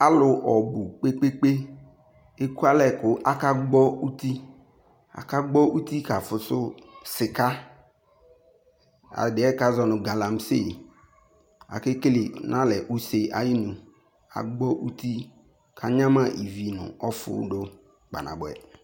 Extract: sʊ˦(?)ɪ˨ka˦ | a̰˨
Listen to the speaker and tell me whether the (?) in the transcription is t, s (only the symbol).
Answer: s